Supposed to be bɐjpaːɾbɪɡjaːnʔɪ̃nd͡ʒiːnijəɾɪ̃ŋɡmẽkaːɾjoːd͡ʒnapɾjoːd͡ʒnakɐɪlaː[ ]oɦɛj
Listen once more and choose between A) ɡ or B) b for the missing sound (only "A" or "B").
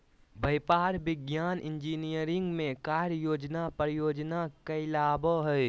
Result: B